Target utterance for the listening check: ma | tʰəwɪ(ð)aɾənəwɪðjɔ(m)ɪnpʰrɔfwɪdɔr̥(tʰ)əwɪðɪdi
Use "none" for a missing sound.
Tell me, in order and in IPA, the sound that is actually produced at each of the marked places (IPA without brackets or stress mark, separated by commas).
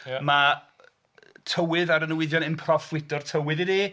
ð, n, tʰ